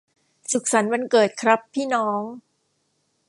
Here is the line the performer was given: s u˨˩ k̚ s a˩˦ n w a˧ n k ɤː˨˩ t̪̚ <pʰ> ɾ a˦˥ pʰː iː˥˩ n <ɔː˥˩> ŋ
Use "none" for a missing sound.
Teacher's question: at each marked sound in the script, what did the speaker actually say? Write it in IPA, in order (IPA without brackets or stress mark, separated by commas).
kʰ, ɔː˦˥